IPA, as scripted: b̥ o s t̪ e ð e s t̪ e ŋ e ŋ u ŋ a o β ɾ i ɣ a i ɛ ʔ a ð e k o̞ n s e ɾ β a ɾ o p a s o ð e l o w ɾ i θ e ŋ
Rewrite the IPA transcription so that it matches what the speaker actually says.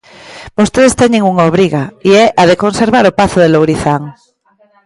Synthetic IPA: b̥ o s t̪ e ð e s t̪ e ɲ e ŋ u ŋ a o β ɾ i ɣ a i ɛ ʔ a ð e k o̞ n s e ɾ β a ɾ o p a θ o ð e l o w ɾ i θ a ŋ